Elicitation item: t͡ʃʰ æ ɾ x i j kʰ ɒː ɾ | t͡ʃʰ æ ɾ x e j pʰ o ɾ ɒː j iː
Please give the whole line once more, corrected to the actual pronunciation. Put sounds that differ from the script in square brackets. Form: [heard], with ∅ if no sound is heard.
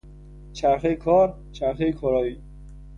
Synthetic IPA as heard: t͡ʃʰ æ ɾ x [e] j kʰ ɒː ɾ | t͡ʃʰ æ ɾ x e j [kʰ] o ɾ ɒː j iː